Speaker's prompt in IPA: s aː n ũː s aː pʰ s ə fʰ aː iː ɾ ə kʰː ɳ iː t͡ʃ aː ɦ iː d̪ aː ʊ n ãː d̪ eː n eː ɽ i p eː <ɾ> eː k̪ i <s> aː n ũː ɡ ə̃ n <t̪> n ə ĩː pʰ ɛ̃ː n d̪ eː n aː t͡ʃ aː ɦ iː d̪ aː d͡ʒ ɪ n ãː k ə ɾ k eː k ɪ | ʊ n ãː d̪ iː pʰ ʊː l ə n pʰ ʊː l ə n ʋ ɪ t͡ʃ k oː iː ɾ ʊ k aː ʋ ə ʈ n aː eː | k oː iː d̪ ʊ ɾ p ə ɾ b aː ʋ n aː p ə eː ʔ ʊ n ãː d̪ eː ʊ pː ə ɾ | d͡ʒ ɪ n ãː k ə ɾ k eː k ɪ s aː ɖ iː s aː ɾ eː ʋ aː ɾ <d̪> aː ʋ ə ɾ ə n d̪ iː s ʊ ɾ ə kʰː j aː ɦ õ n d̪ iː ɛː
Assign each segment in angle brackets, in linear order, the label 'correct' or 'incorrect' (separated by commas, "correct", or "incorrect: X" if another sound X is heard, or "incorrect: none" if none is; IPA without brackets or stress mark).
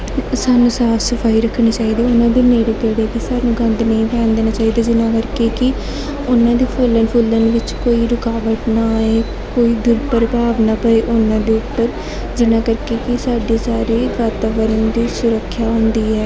incorrect: ɽ, correct, incorrect: d̪, incorrect: t̪